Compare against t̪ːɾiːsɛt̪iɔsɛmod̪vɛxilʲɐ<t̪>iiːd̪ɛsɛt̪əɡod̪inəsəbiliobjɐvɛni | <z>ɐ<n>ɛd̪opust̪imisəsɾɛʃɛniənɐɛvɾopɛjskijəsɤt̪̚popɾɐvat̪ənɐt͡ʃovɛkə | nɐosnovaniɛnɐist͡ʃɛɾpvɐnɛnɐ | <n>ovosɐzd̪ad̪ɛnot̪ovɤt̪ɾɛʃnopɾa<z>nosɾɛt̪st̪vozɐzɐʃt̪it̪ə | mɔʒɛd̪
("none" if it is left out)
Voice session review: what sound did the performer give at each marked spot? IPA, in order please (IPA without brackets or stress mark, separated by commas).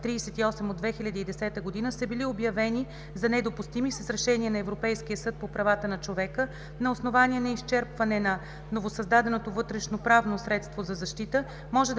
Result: d̪, z, n, n, v